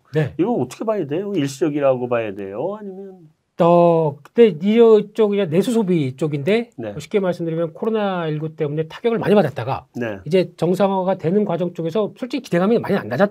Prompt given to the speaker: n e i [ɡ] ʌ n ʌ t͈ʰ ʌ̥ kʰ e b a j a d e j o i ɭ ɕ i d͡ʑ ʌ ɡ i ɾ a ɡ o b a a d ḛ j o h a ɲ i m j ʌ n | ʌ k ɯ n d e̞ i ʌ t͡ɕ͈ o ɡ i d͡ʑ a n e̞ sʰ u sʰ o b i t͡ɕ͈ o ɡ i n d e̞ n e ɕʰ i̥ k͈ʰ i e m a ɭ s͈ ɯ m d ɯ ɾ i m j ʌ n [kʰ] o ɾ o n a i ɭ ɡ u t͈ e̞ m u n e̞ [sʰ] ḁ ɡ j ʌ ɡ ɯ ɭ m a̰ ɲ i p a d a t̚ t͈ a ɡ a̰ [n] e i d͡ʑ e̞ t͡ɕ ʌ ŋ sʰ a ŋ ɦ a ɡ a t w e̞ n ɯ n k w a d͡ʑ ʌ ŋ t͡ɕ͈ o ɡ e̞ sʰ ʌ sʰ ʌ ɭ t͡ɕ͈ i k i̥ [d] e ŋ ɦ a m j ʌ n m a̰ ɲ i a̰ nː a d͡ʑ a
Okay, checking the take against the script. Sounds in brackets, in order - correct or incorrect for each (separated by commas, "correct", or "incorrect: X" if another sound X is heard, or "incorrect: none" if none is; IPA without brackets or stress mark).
correct, correct, incorrect: tʰ, correct, correct